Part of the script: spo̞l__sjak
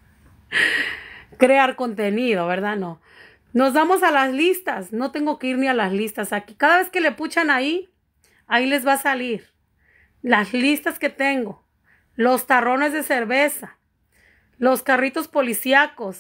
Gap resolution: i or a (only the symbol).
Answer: i